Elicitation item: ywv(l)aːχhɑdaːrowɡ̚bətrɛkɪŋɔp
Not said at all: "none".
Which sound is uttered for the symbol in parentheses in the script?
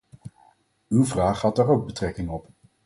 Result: r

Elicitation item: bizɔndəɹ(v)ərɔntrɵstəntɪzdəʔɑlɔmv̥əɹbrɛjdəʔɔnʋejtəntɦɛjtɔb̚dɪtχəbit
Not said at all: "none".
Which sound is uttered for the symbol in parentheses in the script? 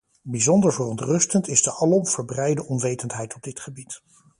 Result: v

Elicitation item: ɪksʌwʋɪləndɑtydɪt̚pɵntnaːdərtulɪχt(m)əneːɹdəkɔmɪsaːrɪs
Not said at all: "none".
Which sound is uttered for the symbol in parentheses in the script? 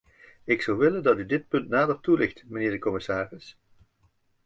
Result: m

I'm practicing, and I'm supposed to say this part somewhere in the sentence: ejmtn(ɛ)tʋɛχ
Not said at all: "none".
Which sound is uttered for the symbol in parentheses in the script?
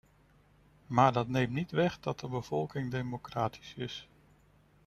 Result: i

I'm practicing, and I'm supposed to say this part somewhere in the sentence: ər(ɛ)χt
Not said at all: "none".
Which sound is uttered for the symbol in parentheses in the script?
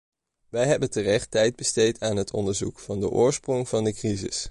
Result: ɛ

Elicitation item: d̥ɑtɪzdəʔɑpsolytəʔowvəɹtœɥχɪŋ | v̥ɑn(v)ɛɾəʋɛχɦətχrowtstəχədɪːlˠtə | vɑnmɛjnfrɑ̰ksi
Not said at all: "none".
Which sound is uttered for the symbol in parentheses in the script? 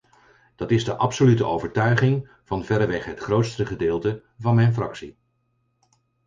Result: v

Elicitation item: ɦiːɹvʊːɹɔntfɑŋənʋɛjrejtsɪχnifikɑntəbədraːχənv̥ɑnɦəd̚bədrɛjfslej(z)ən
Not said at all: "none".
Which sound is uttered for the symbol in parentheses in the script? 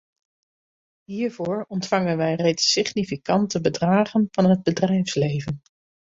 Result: v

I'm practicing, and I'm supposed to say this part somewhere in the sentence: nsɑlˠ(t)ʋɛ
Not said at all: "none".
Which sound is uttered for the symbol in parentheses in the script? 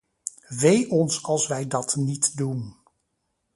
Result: s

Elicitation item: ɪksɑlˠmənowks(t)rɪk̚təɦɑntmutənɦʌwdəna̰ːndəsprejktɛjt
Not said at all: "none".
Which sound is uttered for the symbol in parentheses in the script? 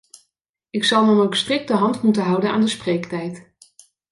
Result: t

